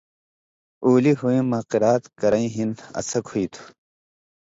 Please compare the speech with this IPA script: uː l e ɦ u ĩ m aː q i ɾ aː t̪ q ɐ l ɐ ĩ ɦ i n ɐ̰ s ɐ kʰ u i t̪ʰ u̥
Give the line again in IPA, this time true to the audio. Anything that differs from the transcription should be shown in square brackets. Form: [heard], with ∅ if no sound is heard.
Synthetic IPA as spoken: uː l [i] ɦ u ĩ m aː q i ɾ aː t̪ [k] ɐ [ɾ] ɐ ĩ ɦ i n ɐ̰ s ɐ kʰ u i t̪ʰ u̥